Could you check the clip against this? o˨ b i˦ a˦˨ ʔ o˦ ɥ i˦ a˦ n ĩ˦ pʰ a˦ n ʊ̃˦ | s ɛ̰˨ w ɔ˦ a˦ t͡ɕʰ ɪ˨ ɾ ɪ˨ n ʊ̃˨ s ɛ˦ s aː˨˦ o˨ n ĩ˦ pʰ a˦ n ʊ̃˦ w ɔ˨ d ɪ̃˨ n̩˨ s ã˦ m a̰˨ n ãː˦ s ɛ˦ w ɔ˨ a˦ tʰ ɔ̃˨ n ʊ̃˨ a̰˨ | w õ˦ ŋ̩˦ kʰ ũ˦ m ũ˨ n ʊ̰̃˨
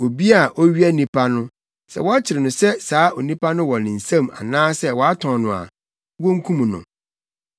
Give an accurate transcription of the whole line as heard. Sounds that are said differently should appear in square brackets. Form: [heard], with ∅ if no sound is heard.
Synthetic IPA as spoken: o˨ b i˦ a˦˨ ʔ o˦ ɥ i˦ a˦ n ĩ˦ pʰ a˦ n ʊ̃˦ | s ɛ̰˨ w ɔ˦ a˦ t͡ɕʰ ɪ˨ ɾ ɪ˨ n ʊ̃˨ s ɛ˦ s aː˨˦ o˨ n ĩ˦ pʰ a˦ n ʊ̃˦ w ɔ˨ [n] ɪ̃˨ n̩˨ s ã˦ m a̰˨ n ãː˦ s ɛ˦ w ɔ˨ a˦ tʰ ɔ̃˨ n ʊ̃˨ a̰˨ | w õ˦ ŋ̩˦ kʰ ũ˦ m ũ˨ n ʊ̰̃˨

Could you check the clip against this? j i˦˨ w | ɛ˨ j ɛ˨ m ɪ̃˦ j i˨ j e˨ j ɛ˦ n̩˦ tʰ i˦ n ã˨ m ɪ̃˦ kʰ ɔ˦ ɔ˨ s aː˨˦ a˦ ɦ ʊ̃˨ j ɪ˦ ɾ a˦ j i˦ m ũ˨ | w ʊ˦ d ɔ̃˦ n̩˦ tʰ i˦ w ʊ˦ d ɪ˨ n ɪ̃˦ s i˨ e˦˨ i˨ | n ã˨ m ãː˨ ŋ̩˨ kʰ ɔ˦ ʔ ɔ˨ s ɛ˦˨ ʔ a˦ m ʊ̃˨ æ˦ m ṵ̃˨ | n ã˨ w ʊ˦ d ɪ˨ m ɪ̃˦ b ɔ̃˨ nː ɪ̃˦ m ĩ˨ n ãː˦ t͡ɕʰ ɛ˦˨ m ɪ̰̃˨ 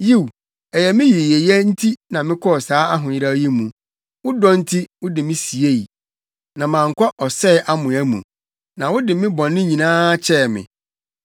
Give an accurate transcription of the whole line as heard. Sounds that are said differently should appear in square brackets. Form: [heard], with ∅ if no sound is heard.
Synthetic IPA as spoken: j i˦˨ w | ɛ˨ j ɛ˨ m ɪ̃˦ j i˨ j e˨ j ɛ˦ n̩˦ tʰ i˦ n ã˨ m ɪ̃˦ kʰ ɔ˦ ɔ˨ s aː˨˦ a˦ ɦ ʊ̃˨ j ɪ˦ ɾ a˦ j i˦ m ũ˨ | w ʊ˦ d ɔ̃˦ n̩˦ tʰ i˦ w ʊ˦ d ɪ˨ [m] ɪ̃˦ s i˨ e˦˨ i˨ | n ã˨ m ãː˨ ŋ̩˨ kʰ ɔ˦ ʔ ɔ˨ s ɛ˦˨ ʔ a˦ m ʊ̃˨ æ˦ m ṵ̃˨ | n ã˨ w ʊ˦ d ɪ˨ m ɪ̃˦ b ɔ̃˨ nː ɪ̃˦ [ɲ] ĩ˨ n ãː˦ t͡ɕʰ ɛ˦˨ m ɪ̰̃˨

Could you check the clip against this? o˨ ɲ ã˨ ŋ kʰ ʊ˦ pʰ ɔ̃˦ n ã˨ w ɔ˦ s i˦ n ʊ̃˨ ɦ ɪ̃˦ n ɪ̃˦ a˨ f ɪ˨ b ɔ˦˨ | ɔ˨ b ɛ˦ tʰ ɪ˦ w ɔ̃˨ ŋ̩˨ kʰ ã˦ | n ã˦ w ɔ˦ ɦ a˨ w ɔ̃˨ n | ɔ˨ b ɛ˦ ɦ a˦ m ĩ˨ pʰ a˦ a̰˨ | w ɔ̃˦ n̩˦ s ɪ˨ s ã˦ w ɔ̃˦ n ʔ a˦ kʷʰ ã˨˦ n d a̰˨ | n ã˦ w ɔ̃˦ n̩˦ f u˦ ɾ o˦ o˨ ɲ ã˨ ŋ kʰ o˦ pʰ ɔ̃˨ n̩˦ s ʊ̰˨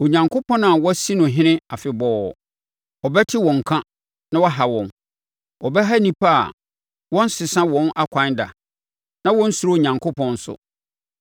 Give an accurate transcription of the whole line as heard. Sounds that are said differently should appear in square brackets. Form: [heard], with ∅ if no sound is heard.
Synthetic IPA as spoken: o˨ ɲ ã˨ ŋ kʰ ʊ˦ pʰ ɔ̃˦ n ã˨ w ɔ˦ s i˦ n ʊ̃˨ ɦ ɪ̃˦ n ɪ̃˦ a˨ f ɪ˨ b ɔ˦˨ | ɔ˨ b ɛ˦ tʰ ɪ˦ w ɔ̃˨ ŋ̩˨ kʰ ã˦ | n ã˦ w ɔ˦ ɦ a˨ w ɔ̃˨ n | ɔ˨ b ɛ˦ ɦ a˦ [n] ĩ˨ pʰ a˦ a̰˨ | w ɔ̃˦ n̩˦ s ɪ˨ s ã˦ w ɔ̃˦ n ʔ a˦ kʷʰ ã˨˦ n d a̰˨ | n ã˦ w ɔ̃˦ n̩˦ [s] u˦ ɾ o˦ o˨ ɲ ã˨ ŋ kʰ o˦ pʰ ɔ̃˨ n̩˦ s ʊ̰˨

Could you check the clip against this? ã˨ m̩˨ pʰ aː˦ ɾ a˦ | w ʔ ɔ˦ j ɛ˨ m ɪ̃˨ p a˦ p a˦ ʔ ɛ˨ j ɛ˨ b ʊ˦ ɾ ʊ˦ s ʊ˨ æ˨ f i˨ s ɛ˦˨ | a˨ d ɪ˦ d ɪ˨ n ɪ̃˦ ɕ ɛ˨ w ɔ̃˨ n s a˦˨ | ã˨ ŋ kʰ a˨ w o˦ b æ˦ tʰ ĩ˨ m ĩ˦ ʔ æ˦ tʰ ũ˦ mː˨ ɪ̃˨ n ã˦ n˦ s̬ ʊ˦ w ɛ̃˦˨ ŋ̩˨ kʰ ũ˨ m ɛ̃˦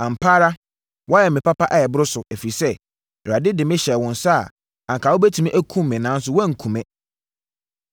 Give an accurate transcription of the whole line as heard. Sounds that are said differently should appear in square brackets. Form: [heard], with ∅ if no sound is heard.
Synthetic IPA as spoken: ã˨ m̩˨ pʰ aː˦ ɾ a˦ | w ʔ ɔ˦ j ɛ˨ m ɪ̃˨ p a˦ p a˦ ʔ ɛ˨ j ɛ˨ b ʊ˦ ɾ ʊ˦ s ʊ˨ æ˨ f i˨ s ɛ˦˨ | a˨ d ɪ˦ d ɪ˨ [m] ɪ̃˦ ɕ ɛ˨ w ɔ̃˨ n s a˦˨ | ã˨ ŋ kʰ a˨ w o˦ b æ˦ tʰ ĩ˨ m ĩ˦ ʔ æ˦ [kʰ] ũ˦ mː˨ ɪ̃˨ n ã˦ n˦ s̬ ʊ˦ w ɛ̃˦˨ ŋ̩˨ kʰ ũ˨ m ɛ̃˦

